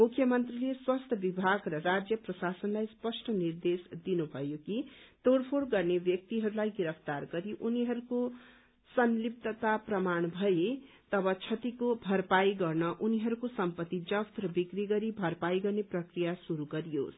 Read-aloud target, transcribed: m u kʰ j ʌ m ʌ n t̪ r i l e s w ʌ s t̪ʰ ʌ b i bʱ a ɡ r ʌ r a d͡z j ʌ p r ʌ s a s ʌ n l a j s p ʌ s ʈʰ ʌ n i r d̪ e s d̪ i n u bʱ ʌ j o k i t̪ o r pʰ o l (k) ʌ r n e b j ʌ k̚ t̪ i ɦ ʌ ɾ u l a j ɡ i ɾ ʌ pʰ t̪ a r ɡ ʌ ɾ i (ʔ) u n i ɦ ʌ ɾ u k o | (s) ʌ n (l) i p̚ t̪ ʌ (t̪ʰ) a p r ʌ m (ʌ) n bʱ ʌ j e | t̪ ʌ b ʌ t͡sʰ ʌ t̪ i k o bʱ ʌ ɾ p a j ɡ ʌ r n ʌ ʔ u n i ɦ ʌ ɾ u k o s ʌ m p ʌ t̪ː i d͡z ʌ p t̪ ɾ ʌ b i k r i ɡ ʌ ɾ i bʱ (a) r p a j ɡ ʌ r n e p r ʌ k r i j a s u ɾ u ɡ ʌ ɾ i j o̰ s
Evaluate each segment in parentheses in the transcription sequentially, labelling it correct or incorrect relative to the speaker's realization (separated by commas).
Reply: incorrect, correct, correct, correct, incorrect, incorrect, incorrect